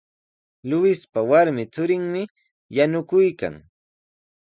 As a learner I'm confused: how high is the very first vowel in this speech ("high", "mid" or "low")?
high